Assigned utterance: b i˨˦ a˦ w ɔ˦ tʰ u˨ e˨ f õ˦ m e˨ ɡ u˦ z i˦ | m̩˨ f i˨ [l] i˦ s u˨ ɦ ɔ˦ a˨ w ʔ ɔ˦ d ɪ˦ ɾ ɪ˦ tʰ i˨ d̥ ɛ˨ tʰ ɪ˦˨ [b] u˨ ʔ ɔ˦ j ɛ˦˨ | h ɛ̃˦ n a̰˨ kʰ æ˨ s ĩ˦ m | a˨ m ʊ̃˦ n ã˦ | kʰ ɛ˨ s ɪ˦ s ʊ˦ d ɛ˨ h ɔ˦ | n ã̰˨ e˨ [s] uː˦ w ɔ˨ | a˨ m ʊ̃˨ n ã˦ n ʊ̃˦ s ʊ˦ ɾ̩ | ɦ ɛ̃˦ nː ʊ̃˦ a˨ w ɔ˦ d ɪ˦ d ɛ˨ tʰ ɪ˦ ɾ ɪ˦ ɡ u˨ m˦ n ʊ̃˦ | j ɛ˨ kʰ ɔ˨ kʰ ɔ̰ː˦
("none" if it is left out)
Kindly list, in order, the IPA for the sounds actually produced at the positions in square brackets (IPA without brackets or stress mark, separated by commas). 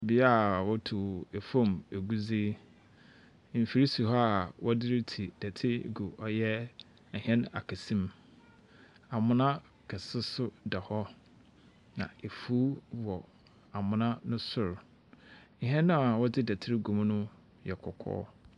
ɾ, ɡ, f